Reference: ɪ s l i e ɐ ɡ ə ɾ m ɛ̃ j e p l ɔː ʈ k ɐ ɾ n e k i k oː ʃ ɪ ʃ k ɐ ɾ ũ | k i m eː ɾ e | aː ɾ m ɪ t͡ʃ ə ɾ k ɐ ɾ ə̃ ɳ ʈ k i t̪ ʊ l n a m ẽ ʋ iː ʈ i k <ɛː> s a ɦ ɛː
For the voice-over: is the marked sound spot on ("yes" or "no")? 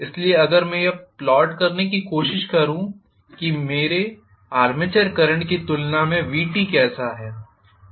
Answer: yes